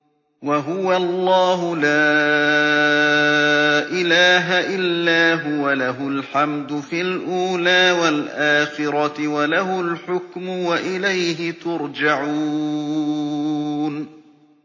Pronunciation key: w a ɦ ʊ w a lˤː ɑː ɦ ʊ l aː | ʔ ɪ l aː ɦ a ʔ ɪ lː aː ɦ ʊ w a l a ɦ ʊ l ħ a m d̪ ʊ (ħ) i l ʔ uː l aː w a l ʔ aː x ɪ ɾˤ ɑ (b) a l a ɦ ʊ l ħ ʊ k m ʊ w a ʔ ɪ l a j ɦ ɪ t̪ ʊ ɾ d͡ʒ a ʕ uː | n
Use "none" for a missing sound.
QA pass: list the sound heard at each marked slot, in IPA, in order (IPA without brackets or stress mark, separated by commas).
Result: f, w